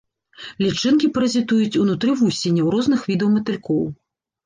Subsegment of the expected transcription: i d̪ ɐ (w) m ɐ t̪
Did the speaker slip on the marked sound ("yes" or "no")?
no